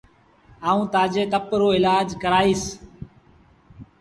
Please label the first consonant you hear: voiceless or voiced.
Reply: voiceless